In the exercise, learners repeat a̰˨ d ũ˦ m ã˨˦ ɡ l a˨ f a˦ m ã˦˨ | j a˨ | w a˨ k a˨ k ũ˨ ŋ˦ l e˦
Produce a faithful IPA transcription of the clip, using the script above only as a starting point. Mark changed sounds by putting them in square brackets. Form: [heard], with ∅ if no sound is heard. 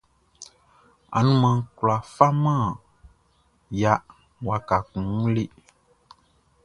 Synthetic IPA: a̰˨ [n] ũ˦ m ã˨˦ [k] l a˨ f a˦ m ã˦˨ | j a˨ | w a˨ k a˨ k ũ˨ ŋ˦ l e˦